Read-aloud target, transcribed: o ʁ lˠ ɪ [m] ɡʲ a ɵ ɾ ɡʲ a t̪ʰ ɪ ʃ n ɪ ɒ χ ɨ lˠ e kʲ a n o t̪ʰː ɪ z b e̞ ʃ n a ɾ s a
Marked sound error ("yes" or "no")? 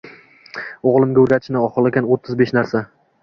no